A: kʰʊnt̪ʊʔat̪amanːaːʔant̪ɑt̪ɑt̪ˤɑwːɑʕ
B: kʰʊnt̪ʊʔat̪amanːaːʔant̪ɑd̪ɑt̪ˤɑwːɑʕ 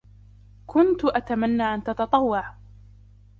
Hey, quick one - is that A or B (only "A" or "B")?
A